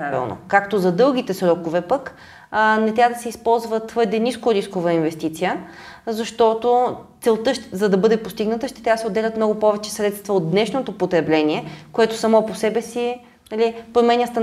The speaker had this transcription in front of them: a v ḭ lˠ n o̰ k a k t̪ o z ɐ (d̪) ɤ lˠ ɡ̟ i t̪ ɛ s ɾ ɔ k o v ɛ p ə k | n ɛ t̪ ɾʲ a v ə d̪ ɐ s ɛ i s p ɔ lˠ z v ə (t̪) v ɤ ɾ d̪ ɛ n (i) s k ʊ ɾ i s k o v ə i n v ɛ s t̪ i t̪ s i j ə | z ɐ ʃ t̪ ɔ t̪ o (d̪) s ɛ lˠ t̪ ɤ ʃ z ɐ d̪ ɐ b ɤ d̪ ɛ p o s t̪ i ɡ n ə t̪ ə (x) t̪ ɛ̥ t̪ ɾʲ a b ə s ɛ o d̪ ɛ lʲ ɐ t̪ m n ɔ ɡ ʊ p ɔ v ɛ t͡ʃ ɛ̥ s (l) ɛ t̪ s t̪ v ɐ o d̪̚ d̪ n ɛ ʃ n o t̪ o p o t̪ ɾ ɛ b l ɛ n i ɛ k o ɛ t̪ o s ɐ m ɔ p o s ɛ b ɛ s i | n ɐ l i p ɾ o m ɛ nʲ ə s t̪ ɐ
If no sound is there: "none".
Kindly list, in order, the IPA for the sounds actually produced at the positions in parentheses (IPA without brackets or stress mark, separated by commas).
d̪, t̪, i, t̪, ʃ, ɾ